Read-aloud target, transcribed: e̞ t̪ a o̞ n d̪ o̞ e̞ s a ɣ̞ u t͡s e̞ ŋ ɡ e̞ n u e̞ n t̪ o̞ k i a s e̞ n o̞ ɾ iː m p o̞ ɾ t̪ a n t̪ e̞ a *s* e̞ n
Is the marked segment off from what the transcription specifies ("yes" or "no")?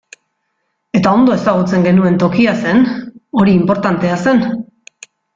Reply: no